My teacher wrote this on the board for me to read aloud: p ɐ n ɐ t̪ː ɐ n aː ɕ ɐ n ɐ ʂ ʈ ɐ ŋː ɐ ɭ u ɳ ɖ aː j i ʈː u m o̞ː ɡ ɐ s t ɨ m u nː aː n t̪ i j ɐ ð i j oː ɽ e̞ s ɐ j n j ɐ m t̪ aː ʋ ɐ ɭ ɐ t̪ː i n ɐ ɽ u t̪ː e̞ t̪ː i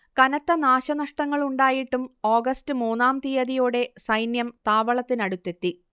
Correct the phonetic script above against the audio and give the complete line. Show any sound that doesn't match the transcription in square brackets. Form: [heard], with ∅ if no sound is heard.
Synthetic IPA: [k] ɐ n ɐ t̪ː ɐ n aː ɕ ɐ n ɐ ʂ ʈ ɐ ŋː ɐ ɭ u ɳ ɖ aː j i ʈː u m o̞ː ɡ ɐ s t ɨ m [uː] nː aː [m] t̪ i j ɐ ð i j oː ɽ e̞ s ɐ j n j ɐ m t̪ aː ʋ ɐ ɭ ɐ t̪ː i n ɐ ɽ u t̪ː e̞ t̪ː i